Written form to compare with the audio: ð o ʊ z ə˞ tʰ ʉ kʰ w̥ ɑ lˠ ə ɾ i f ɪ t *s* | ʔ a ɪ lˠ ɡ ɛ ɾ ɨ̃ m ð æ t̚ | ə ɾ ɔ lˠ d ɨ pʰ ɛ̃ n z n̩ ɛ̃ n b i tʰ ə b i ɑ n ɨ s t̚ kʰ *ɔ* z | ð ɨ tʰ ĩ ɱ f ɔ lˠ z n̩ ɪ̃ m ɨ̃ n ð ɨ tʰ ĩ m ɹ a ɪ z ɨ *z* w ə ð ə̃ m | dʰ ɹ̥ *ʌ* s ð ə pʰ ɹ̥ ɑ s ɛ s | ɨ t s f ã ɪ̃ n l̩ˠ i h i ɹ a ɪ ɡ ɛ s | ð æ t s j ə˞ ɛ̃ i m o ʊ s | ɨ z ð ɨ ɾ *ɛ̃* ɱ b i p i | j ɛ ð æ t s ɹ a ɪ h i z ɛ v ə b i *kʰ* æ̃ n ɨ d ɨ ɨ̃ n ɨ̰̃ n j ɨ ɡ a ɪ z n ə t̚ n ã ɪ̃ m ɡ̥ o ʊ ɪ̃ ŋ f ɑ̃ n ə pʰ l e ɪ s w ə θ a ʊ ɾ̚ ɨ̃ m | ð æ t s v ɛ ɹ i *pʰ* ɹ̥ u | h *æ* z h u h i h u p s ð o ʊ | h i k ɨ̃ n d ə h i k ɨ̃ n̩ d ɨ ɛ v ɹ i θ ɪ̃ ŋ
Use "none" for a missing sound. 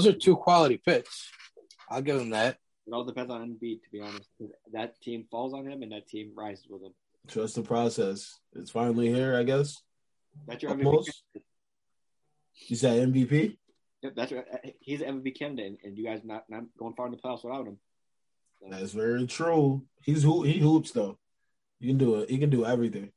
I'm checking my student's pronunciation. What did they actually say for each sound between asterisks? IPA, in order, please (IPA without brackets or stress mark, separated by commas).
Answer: s, ʌ, z, ʌ, ɛ̃, kʰ, tʰ, i